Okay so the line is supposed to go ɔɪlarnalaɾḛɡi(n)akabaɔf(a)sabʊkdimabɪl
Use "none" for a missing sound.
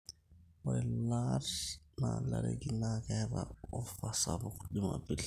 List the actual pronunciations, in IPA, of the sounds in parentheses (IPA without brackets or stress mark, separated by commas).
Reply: n, a